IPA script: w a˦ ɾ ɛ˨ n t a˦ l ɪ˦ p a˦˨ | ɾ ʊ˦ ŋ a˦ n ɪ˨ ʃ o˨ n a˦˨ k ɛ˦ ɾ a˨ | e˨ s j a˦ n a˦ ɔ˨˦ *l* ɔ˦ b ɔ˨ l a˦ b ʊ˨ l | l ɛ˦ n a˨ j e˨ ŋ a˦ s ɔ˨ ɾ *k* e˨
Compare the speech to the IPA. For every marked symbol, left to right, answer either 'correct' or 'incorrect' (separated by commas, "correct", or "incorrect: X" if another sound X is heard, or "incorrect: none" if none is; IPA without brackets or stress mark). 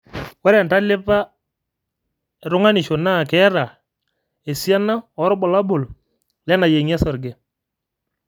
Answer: incorrect: ɾ, incorrect: ɡ